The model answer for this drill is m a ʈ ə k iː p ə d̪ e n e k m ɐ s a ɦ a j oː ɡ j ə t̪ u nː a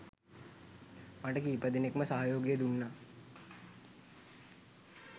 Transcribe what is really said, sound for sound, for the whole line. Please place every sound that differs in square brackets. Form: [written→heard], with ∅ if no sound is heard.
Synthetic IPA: m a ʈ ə k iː p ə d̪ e n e k m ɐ s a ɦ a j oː ɡ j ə [t̪→d̪] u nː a